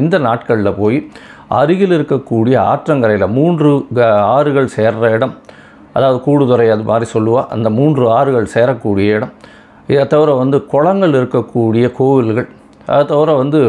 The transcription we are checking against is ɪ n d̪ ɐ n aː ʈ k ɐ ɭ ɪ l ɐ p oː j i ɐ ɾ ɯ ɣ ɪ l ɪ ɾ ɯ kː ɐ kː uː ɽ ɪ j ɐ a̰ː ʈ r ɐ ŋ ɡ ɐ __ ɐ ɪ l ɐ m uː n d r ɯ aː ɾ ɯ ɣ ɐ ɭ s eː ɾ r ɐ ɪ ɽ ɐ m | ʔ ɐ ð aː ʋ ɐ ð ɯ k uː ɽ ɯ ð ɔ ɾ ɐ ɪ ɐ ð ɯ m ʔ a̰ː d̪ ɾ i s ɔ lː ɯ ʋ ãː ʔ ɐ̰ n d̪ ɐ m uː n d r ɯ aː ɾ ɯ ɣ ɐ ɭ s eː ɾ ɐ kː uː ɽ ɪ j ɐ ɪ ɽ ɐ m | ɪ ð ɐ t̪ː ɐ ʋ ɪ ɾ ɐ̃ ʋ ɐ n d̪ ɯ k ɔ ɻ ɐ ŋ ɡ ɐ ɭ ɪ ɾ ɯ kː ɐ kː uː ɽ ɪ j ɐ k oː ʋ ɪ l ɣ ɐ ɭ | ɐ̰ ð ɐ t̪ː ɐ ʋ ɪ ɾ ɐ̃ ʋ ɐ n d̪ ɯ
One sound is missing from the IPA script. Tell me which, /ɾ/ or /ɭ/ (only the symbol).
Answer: ɾ